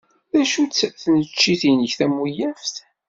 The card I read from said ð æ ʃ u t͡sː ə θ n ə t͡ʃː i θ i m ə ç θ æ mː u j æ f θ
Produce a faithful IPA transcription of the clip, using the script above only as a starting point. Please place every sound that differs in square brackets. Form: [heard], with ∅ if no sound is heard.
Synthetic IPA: ð æ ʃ u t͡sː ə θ n ə t͡ʃː i θ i [n] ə ç θ æ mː u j æ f θ